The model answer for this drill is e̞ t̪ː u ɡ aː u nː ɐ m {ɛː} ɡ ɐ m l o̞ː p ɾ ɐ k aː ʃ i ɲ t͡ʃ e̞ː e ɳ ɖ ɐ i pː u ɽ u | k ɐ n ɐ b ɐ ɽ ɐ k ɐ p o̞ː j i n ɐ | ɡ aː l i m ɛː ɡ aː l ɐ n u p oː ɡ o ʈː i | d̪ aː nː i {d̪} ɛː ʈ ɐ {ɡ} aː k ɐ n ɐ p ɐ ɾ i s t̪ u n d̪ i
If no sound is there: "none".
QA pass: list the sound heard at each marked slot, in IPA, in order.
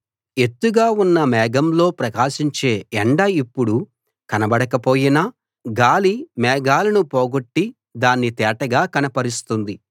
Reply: ɛː, t̪, ɡ

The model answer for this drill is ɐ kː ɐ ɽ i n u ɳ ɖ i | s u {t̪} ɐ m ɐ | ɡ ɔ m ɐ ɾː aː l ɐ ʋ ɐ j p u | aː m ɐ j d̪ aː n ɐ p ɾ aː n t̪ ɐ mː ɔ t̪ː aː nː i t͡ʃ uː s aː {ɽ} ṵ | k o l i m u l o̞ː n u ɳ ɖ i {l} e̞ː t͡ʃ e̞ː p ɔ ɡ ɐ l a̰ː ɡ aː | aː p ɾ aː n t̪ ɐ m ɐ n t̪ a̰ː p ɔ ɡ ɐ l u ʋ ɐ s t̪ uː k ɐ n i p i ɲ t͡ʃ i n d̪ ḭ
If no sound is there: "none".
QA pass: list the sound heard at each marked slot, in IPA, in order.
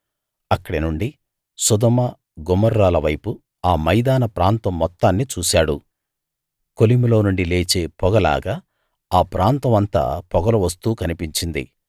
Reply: d̪, ɽ, l

